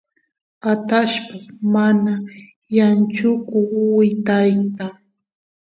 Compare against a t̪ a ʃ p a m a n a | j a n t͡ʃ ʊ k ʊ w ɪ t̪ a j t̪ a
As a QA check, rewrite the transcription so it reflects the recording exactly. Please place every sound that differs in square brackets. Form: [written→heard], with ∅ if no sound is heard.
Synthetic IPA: a t̪ a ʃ p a m a n a | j a n t͡ʃ ʊ k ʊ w ɪ t̪ a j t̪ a